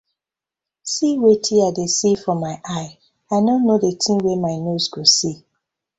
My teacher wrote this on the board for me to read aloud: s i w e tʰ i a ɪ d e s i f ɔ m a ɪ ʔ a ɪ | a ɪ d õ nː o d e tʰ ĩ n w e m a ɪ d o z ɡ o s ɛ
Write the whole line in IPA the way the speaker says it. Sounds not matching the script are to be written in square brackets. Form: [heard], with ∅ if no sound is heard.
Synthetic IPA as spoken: s i w e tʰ i a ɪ d e s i f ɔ m a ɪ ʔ a ɪ | a ɪ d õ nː o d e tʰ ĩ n w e m a ɪ [n] o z ɡ o s [i]

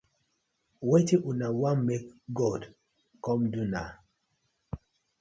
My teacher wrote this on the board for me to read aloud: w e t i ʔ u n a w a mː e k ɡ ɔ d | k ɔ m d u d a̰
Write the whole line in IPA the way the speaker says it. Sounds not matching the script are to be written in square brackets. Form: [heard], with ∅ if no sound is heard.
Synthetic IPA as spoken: w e t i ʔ u n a w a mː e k ɡ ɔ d | k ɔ m d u [n] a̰

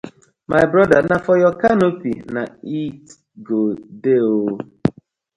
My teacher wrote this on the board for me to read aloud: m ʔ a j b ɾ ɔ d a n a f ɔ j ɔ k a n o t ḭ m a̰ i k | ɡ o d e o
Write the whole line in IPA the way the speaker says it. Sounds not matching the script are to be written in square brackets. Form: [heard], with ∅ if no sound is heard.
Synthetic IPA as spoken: m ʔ a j b ɾ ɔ d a n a f ɔ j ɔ k a n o [p] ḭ [n] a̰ i [t] | ɡ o d e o

